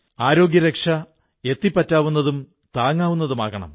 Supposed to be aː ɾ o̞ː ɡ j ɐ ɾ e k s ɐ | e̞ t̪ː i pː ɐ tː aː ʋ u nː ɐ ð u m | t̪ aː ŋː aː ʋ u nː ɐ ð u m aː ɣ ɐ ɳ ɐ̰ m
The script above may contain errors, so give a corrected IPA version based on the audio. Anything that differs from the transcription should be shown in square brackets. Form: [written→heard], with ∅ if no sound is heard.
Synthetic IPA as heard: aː ɾ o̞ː ɡ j ɐ ɾ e k [s→ʂ] ɐ | e̞ t̪ː i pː ɐ tː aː ʋ u nː ɐ ð u m | t̪ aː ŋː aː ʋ u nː ɐ ð u m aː ɣ ɐ ɳ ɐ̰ m